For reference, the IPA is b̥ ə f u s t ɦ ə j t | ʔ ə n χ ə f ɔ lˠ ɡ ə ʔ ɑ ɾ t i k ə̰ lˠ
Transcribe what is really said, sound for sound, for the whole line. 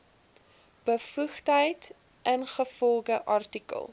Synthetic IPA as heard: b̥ ə f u χ t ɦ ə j t | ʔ ə n χ ə f ɔ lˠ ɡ ə ʔ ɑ r t i k ə̰ lˠ